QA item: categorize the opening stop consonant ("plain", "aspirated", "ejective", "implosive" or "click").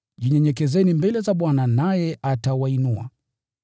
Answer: implosive